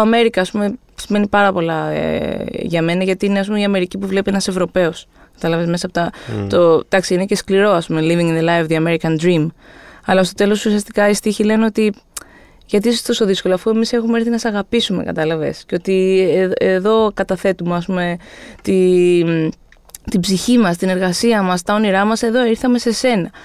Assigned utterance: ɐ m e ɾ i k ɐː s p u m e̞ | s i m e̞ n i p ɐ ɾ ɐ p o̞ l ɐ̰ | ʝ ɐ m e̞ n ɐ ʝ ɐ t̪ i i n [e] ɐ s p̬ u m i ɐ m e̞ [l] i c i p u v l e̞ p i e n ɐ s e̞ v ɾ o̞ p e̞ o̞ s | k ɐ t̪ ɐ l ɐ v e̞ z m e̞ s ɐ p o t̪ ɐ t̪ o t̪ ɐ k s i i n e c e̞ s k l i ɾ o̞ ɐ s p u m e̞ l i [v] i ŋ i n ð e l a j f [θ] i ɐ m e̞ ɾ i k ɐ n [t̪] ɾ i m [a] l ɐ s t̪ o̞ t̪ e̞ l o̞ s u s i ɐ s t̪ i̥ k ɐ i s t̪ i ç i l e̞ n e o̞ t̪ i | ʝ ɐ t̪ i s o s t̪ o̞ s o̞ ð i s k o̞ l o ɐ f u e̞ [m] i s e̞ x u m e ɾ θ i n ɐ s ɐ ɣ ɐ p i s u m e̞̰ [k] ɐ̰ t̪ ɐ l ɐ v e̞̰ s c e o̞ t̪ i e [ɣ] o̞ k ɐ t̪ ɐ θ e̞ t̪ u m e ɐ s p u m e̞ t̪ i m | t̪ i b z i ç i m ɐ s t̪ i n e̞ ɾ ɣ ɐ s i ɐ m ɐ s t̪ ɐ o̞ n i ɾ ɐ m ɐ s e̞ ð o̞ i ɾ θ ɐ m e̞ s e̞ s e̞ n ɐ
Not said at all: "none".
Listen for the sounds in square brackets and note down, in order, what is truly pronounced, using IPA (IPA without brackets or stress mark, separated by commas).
e, ɾ, v, ð, d̪, ɐ, m, k, ð